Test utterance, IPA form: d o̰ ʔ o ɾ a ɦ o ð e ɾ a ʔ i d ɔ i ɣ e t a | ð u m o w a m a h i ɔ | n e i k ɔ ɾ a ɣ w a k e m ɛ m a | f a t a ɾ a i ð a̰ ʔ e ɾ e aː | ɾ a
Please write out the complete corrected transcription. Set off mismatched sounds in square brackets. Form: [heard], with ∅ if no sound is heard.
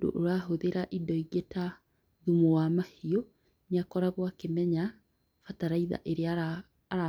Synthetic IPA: d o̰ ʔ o ɾ a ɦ o ð e ɾ a ʔ i d ɔ i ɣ e t a | ð u m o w a m a h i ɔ | n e [a] k ɔ ɾ a ɣ w a k e m ɛ [ɲ] a | f a t a ɾ a i ð a̰ ʔ e ɾ e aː | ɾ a